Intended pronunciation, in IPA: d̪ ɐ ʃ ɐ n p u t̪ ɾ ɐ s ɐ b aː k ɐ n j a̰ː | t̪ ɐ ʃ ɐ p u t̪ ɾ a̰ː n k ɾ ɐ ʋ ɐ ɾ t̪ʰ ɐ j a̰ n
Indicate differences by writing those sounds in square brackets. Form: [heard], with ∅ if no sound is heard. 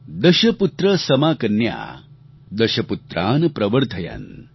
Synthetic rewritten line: d̪ ɐ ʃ ɐ [∅] p u t̪ ɾ ɐ s ɐ [m] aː k ɐ n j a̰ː | [d̪] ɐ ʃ ɐ p u t̪ ɾ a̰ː n [p] ɾ ɐ ʋ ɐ ɾ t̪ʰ ɐ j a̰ n